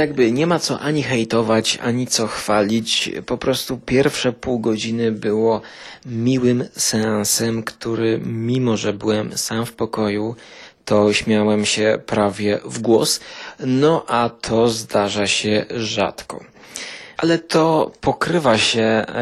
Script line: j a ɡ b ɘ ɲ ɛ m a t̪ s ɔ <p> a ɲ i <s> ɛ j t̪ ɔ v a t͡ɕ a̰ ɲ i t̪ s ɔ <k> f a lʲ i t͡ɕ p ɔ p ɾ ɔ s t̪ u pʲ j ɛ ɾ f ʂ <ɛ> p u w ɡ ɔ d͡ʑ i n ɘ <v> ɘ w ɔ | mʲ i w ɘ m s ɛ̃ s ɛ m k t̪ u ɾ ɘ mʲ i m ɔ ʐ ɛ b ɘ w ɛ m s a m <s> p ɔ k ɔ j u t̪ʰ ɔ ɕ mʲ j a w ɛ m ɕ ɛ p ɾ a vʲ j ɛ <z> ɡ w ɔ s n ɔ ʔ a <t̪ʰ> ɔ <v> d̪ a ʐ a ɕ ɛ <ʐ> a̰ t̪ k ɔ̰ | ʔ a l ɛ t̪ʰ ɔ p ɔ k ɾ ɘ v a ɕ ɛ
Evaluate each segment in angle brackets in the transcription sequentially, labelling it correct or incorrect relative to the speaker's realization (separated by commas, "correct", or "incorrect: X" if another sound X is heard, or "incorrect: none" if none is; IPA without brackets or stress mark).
incorrect: ʔ, incorrect: x, incorrect: x, correct, incorrect: b, incorrect: f, incorrect: v, correct, incorrect: z, correct